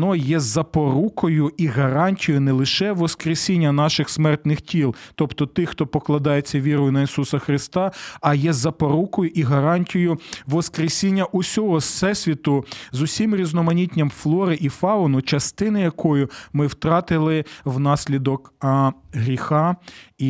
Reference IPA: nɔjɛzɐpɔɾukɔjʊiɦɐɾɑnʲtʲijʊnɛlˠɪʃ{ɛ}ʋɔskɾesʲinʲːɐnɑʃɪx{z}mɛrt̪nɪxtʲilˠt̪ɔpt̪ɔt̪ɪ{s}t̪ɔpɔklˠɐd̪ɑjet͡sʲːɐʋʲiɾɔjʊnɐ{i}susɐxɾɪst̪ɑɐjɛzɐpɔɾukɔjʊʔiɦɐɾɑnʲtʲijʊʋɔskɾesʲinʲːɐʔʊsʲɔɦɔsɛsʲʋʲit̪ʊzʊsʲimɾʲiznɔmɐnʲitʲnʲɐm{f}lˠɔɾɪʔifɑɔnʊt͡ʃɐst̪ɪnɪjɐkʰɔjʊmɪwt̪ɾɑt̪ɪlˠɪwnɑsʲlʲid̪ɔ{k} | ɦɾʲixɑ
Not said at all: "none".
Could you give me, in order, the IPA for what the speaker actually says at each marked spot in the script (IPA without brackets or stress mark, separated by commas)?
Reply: ɛ, s, x, i, f, k